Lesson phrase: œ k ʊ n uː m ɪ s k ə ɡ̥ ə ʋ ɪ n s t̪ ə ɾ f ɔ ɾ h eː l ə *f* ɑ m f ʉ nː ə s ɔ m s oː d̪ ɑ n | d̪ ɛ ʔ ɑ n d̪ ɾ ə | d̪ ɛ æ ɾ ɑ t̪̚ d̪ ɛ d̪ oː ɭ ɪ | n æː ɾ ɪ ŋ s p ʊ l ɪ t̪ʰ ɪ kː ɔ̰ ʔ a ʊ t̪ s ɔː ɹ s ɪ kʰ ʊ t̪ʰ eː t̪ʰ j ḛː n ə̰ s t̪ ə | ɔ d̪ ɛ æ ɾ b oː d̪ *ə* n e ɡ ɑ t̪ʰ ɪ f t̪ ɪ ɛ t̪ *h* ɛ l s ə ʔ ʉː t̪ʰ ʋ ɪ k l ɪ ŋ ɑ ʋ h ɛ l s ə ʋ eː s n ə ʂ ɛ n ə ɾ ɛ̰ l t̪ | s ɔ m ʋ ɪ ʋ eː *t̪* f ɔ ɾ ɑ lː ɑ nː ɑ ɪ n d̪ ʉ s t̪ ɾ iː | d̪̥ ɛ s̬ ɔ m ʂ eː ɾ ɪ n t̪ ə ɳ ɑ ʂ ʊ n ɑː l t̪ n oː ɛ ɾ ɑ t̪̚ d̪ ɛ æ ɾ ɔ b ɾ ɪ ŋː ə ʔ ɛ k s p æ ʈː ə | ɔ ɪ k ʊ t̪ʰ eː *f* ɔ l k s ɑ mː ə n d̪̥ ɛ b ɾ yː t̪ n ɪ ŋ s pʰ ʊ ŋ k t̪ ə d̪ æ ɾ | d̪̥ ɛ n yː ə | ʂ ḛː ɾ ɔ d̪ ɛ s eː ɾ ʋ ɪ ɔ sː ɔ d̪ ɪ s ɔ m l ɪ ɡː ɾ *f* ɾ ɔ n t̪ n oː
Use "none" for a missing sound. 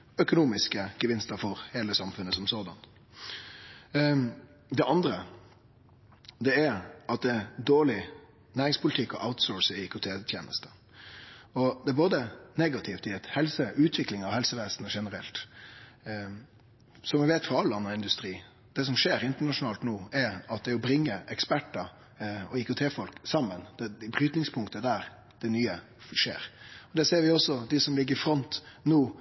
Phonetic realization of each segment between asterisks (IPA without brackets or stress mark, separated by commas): s, ə, h, t̪, f, f